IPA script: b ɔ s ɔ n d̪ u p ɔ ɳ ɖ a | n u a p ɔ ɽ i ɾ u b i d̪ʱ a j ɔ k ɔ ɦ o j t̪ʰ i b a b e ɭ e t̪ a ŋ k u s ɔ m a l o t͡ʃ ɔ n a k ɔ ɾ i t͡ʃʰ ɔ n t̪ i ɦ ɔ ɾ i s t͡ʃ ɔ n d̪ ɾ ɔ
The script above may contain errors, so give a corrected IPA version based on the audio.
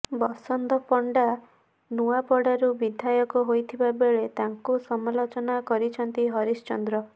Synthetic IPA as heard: b ɔ s ɔ n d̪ ɔ p ɔ ɳ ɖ a | n u a p ɔ ɽ a ɾ u b i d̪ʱ a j ɔ k ɔ ɦ o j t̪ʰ i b a b e ɭ e t̪ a ŋ k u s ɔ m a l o t͡ʃ ɔ n a k ɔ ɾ i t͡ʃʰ ɔ n t̪ i ɦ ɔ ɾ i s t͡ʃ ɔ n d̪ ɾ ɔ